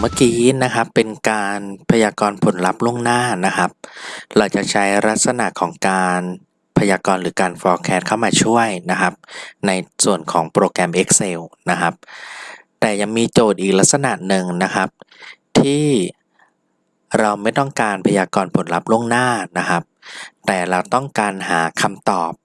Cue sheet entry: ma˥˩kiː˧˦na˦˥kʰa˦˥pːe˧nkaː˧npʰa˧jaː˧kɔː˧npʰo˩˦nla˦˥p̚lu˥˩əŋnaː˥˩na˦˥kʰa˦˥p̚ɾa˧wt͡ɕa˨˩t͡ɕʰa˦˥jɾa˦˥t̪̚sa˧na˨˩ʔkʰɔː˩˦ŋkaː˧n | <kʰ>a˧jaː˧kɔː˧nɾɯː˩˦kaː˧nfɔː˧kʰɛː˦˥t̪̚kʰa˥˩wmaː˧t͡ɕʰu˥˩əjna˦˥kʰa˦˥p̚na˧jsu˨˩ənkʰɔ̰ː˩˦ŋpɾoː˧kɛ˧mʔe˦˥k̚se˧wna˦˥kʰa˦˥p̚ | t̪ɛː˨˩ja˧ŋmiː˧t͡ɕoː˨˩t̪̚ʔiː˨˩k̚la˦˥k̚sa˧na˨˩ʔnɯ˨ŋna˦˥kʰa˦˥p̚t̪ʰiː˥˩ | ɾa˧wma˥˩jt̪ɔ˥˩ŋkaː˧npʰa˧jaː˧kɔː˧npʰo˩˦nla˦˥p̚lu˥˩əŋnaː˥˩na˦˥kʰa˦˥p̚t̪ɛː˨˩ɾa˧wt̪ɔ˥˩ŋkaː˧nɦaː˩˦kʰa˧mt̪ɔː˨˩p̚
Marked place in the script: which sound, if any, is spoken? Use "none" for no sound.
pʰ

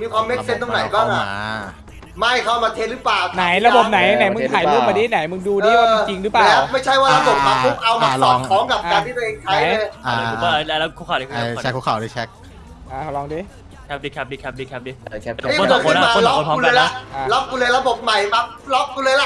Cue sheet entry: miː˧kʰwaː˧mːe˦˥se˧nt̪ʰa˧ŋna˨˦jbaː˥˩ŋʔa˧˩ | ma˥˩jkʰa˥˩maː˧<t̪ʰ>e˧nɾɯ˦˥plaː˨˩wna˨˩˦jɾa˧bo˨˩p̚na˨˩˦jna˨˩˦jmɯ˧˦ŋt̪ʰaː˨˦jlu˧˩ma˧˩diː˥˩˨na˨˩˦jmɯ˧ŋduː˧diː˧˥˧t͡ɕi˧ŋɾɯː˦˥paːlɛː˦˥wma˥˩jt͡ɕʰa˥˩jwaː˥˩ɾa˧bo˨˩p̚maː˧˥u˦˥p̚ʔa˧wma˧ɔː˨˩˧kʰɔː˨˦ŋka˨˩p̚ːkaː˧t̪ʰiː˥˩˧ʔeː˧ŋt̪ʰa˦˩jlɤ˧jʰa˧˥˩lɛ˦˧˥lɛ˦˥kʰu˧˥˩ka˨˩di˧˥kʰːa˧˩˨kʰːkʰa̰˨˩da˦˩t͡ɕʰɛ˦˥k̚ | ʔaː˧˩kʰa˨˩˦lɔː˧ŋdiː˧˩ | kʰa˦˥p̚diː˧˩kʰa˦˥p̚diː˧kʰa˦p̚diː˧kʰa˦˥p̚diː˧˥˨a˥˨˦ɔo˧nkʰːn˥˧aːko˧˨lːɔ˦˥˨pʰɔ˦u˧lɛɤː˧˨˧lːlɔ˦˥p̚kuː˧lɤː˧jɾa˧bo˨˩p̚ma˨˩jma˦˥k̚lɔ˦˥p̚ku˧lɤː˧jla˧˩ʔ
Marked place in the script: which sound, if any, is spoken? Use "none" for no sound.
t̪ʰ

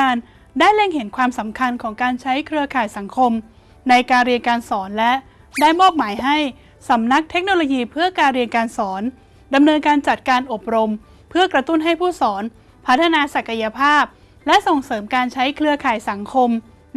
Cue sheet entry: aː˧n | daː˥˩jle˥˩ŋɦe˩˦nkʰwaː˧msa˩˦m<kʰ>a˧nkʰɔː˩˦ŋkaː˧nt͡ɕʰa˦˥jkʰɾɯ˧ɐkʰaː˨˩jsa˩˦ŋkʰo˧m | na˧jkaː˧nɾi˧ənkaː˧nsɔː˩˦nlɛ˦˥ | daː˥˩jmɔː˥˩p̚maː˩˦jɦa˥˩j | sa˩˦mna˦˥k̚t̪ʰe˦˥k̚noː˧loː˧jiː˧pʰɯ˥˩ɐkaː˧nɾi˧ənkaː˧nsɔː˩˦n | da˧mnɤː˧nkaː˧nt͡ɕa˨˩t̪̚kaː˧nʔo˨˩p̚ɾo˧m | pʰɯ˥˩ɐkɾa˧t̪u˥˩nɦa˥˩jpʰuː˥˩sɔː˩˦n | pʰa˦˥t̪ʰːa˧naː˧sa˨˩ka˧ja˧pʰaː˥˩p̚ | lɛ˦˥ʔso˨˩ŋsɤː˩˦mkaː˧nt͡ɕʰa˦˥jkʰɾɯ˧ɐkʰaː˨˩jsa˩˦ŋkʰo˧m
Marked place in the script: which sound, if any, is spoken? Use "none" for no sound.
kʰ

